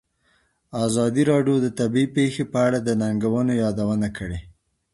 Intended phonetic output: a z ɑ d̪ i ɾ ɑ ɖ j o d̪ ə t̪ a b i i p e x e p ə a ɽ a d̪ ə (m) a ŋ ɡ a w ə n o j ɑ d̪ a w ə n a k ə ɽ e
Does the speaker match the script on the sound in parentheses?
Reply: no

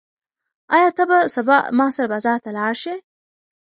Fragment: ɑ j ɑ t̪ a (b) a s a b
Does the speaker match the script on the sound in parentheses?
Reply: yes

